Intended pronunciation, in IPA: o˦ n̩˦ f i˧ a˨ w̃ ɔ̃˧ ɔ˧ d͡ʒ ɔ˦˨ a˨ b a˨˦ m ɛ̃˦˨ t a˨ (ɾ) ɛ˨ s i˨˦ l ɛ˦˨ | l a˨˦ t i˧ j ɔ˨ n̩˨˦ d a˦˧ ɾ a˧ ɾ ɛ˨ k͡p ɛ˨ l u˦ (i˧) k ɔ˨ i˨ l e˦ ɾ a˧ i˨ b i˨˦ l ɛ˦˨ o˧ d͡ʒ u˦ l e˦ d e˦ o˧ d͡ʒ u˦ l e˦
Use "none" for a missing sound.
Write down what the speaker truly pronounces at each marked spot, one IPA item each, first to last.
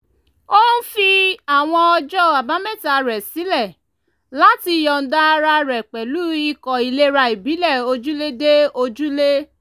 ɾ, i˧

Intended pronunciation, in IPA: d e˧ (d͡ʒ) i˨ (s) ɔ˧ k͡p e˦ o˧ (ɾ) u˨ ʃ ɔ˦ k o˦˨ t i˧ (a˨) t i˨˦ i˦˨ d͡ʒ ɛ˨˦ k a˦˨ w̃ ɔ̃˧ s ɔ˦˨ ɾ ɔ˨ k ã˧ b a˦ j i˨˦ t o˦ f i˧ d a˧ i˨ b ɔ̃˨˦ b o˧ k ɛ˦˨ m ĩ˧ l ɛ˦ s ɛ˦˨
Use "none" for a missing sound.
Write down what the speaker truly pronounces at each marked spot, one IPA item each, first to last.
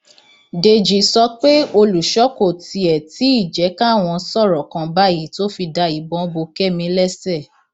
d͡ʒ, s, l, ɛ˨

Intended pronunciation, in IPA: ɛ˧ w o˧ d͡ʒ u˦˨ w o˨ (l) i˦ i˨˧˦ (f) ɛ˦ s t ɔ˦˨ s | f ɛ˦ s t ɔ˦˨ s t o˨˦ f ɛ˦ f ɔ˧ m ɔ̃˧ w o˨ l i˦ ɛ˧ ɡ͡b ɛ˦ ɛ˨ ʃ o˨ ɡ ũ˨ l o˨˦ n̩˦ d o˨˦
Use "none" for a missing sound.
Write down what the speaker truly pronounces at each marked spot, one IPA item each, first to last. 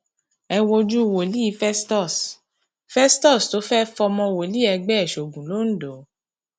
l, f

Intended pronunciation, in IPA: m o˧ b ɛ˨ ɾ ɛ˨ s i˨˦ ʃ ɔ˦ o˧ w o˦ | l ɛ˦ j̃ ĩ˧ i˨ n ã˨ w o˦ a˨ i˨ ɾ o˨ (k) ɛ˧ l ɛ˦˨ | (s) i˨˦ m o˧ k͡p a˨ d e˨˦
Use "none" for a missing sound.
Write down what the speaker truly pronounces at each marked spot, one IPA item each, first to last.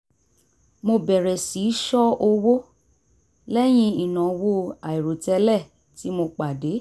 t, t

